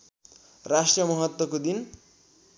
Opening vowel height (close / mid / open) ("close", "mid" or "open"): open